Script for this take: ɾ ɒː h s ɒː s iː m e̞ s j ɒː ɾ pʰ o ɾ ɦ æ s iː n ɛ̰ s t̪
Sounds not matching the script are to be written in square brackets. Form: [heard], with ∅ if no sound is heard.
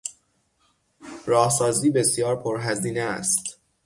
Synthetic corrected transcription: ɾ ɒː h s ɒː [z] iː [b] e̞ s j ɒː ɾ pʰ o ɾ ɦ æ [z] iː n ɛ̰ s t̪